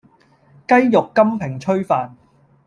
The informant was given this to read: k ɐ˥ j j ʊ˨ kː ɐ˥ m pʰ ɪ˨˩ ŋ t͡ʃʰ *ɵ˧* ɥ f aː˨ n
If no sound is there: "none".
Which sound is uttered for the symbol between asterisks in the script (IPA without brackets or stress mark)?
ɵ˥